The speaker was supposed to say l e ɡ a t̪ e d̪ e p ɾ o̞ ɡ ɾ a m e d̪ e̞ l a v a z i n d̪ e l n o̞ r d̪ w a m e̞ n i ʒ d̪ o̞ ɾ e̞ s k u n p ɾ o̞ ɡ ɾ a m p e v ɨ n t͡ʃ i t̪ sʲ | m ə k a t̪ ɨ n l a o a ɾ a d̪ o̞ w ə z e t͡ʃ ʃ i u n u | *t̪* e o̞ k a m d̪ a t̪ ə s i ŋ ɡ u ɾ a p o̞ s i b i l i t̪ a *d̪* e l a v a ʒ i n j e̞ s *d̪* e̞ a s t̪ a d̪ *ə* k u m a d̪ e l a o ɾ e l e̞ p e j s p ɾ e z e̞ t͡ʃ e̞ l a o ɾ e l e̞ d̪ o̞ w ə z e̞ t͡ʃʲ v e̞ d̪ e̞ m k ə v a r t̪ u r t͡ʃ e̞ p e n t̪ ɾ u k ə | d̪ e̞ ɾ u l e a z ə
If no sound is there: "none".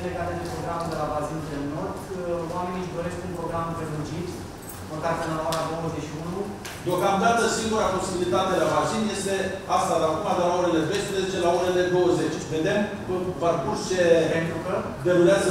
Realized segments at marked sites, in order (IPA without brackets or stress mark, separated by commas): d̪, t̪, t̪, a